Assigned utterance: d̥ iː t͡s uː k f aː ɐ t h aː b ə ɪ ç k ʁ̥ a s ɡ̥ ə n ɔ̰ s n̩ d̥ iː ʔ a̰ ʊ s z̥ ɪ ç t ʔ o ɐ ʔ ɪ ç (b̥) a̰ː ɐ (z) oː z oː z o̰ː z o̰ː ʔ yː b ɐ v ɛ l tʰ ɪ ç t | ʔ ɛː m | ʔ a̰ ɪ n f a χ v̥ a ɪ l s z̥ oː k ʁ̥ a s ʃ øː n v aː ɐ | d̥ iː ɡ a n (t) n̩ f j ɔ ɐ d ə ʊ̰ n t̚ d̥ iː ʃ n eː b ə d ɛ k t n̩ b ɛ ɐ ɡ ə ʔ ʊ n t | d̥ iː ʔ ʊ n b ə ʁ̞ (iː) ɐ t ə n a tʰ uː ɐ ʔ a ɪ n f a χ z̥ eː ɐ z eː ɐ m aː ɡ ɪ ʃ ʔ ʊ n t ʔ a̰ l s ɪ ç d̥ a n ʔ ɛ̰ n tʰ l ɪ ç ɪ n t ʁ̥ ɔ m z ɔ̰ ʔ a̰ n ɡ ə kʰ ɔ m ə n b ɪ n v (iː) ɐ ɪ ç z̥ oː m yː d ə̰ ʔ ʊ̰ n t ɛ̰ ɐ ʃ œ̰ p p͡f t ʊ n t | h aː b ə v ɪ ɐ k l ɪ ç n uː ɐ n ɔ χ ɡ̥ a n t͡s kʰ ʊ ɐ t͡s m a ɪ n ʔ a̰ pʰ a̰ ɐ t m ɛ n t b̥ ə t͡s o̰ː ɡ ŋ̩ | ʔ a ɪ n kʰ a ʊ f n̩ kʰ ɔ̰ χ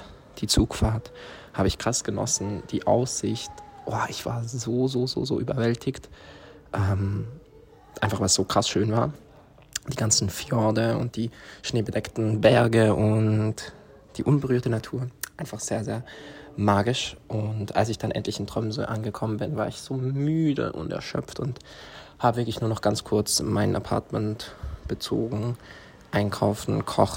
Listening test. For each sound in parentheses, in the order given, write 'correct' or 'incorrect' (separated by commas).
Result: incorrect, correct, incorrect, incorrect, incorrect